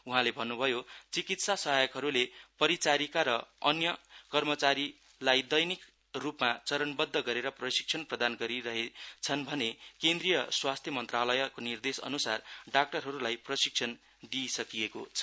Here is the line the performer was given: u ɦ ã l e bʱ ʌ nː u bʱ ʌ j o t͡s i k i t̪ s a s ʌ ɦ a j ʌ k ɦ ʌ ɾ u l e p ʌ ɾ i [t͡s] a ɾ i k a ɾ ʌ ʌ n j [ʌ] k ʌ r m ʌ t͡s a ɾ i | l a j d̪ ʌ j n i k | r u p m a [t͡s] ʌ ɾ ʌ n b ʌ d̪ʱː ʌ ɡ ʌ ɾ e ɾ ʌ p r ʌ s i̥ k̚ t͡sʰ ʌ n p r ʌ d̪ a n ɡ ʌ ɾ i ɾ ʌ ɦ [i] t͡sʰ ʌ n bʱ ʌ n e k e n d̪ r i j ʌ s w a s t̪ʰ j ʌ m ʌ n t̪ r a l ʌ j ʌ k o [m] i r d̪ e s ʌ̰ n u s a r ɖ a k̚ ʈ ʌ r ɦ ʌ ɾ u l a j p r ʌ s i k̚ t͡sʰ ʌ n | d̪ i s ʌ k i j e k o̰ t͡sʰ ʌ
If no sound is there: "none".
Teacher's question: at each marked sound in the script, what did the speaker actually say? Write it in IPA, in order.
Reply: t͡s, ʌ, t͡s, e, n

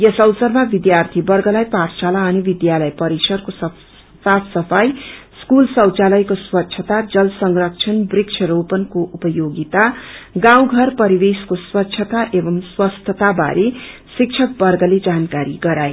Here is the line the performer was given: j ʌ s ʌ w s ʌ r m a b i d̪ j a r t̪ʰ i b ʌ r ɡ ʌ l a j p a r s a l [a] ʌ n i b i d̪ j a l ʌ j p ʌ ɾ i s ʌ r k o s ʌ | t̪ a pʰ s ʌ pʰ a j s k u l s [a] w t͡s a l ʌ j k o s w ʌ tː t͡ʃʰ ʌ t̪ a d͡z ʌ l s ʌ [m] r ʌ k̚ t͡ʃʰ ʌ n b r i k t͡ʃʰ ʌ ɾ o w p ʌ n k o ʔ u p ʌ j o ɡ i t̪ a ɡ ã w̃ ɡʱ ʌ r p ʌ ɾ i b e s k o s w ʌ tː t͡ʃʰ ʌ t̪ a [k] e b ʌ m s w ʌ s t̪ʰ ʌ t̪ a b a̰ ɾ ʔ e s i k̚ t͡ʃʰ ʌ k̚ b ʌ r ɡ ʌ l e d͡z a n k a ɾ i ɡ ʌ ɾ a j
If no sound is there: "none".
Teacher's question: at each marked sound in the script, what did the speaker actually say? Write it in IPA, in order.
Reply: a, ʌ, ŋ, ʔ

